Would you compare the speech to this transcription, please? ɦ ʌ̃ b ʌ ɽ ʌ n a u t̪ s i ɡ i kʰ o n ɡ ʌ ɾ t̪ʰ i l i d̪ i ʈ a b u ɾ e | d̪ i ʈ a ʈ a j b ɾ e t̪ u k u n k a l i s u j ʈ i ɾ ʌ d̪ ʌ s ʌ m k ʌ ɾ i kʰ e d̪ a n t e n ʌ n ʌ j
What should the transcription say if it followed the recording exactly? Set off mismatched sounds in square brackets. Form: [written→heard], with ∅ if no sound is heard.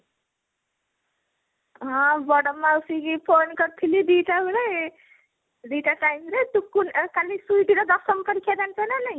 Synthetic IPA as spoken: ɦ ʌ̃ b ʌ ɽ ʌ [n→m] a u [t̪→∅] s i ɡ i [kʰ→pʰ] o n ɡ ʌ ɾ t̪ʰ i l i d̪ i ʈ a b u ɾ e | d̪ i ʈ a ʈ a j [b→m] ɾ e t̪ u k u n k a l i s u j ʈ i ɾ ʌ d̪ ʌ s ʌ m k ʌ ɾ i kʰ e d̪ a n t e n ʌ n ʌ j